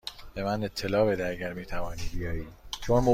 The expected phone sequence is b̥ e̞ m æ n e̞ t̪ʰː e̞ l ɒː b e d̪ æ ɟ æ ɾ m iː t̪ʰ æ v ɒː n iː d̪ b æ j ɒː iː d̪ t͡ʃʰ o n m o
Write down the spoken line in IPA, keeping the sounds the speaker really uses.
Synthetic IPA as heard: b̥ e̞ m æ n e̞ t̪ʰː e̞ l ɒː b e d̪ æ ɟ æ ɾ m iː t̪ʰ æ v ɒː n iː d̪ b i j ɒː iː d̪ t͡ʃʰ o n m o